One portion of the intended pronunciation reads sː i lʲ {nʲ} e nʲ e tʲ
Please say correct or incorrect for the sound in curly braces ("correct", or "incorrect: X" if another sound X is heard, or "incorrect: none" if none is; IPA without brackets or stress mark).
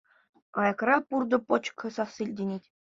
incorrect: dʲ